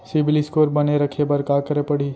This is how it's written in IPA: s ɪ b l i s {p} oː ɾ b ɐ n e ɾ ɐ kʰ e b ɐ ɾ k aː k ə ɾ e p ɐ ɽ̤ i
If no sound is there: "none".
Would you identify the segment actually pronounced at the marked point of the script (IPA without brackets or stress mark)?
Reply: k